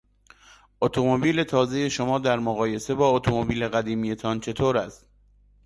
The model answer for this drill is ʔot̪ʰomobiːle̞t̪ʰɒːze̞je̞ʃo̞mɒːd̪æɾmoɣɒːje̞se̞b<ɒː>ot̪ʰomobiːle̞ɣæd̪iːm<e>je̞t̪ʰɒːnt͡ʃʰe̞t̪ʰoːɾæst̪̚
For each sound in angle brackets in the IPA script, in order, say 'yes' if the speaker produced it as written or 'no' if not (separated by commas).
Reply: yes, no